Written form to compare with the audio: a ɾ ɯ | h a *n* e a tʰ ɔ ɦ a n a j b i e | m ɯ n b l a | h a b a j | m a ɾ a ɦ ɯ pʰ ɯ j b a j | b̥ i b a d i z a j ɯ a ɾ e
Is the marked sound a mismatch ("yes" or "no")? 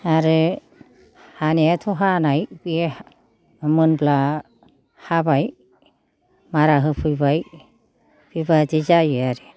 no